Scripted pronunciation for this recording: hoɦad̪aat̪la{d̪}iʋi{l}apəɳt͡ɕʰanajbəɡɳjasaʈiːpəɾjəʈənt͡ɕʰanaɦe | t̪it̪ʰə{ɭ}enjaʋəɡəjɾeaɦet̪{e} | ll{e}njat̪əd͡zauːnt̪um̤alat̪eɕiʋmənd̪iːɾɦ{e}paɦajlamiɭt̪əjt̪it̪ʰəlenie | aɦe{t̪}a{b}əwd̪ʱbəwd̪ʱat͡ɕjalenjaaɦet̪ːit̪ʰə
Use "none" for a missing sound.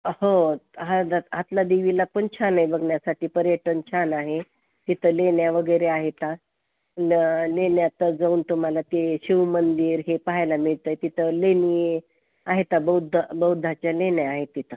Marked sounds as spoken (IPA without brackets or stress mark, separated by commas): d̪, l, l, a, e, e, t̪, b